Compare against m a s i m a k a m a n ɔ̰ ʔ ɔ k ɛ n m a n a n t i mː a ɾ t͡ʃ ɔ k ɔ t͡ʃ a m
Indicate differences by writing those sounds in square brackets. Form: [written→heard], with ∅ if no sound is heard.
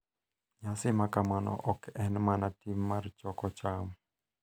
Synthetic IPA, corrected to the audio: [m→ɲ] a s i m a k a m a n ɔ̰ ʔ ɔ k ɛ n m a n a [n→∅] t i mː a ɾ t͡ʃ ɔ k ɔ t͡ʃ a m